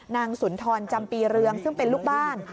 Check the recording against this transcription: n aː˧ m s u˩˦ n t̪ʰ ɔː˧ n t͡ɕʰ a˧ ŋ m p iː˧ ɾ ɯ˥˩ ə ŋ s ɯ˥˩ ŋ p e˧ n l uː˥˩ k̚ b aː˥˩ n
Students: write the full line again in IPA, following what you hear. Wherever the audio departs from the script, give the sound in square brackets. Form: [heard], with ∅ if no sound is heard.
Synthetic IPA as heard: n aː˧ [ŋ] s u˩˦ n t̪ʰ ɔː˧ n [t͡ɕ] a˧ [∅] m p iː˧ ɾ [ɯ˧] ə ŋ s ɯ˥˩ ŋ p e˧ n l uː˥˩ k̚ b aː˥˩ n